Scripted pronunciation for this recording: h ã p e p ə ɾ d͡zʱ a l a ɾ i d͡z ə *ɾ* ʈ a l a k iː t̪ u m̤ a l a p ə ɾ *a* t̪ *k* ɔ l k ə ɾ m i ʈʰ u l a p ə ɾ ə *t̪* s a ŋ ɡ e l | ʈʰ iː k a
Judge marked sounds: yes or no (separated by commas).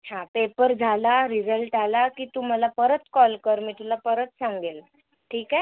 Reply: no, no, yes, yes